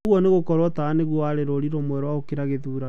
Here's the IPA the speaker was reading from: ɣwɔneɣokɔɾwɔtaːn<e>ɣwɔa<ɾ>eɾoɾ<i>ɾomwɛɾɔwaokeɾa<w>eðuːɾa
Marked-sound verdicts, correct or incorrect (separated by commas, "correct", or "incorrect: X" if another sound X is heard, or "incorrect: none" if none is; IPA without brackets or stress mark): correct, correct, correct, incorrect: ɣ